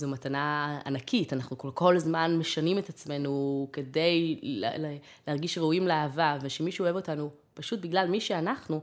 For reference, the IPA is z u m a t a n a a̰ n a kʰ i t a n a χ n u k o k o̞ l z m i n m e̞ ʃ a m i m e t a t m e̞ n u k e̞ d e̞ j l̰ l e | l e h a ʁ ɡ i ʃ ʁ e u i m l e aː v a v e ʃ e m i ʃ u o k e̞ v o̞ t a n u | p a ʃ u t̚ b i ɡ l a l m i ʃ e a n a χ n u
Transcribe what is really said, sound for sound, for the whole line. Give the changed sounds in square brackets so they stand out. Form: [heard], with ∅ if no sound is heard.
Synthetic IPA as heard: z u m a t a n a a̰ n a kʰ i t a n a χ n u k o k o̞ l z m [a] n m e̞ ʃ a [n] i m e t a [t͡s] m e̞ n u k e̞ d e̞ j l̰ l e | l e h a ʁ ɡ i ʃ ʁ e u i m l e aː v a v e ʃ e m i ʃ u o [∅] e̞ v o̞ t a n u | p a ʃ u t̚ b i ɡ l a l m i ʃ e a n a χ n u